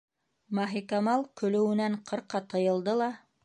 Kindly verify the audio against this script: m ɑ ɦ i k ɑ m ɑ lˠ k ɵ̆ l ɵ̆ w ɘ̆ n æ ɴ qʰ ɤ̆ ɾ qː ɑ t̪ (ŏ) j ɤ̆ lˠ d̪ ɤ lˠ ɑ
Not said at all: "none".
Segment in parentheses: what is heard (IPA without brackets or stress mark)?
ɤ̆